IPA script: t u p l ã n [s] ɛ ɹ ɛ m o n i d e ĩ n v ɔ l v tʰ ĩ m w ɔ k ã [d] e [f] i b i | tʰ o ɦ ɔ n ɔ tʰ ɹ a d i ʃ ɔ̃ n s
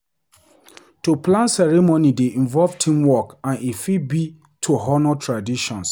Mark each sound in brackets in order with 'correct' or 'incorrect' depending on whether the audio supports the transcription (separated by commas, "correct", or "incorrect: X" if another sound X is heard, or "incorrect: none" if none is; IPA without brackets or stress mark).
correct, incorrect: n, correct